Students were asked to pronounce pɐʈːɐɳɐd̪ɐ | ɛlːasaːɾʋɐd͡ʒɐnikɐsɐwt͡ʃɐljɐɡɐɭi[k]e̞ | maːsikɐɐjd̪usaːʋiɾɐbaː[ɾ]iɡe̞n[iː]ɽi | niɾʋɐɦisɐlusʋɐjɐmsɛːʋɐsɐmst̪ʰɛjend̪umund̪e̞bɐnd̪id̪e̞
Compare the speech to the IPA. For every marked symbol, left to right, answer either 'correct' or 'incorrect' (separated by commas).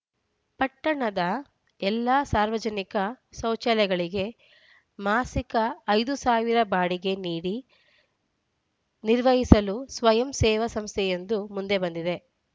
incorrect, incorrect, correct